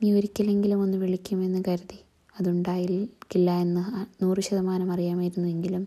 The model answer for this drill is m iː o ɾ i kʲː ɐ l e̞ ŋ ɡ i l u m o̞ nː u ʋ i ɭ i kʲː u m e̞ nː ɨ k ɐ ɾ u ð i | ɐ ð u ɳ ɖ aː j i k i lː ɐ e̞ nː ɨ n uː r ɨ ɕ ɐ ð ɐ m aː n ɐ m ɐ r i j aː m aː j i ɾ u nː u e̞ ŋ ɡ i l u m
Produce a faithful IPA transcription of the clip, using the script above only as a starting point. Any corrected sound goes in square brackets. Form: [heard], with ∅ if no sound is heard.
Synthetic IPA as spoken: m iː o ɾ i kʲː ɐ l e̞ ŋ ɡ i l u m o̞ nː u ʋ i ɭ i kʲː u m e̞ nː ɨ k ɐ ɾ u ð i | ɐ ð u ɳ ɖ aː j i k i lː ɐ e̞ nː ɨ n uː r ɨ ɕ ɐ ð ɐ m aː n ɐ m ɐ r i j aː m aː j i ɾ u nː u e̞ ŋ ɡ i l u m